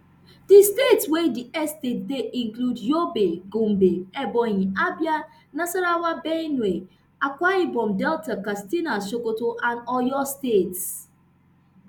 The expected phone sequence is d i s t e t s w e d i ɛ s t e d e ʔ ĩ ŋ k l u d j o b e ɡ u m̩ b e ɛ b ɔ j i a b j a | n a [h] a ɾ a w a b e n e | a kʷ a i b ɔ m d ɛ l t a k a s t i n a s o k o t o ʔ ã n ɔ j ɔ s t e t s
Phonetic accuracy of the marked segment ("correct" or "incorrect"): incorrect